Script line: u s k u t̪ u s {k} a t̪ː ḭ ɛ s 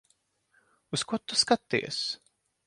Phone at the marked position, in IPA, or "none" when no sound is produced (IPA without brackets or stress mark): k